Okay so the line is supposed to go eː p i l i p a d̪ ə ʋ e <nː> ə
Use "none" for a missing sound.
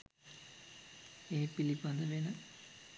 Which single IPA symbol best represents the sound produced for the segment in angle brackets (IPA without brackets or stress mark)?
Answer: n